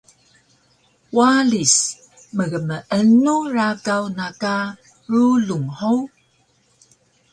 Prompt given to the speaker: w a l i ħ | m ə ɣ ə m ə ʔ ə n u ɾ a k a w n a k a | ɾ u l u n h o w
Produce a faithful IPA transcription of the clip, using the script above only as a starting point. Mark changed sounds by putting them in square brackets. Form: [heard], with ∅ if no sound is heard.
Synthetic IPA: w a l i [s] | m ə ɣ ə m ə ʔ ə n u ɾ a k a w n a k a | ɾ u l u [ŋ] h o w